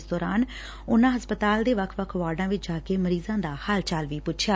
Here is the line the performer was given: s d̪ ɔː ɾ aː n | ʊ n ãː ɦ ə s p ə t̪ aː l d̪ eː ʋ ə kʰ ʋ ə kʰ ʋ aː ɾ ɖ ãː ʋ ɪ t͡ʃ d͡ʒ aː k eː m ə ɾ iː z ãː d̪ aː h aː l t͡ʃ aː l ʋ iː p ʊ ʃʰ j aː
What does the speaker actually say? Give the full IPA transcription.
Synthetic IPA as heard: s d̪ ɔː ɾ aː n | ʊ n ãː ɦ ə s p ə t̪ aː l d̪ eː ʋ ə kʰ ʋ ə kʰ ʋ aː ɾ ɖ ãː ʋ ɪ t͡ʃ d͡ʒ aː k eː m ə ɾ iː z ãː d̪ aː h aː l t͡ʃ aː l ʋ iː p ʊ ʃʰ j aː